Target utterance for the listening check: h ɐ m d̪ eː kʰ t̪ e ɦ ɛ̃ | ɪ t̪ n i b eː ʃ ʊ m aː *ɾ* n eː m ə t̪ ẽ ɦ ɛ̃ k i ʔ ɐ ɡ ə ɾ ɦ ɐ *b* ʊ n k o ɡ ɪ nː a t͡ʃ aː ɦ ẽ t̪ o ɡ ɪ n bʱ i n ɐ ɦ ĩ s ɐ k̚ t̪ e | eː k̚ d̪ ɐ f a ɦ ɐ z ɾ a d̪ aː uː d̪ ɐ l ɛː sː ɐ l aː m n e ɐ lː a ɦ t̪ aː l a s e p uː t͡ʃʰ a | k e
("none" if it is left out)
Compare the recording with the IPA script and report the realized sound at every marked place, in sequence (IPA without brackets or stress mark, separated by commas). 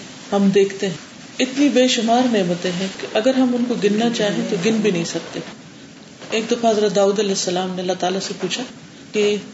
ɾ, m